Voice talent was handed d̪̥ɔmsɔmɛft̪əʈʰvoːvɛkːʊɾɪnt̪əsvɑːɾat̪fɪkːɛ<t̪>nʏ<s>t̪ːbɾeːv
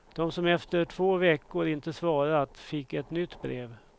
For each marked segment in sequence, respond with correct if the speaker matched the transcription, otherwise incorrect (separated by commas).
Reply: correct, incorrect